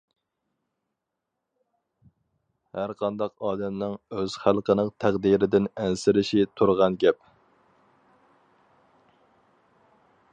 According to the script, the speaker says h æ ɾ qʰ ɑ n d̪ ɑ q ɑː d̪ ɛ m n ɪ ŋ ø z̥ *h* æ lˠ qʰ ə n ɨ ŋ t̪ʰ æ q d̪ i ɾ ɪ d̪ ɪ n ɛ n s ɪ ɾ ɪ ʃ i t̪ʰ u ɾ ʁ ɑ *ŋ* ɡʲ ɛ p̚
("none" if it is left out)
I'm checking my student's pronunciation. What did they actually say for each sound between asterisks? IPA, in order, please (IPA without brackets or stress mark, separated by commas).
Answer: χ, n